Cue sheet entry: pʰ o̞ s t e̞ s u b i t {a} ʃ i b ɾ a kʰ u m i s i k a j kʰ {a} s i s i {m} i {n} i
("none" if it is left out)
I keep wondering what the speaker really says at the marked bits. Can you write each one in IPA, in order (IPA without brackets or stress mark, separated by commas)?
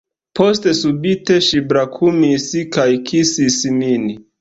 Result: e, i, m, n